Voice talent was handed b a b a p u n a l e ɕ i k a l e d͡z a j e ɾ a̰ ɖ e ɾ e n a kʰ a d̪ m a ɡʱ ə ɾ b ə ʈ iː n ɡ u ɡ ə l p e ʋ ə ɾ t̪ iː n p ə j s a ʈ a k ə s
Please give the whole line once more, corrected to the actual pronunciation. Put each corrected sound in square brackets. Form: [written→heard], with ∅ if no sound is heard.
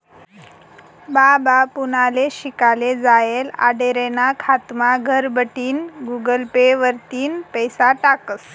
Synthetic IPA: b a b a p u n a l e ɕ i k a l e d͡z a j e [ɾ→l] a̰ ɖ e ɾ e n a kʰ a [d̪→t̪] m a ɡʱ ə ɾ b ə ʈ iː n ɡ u ɡ ə l p e ʋ ə ɾ t̪ iː n p ə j s a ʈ a k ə s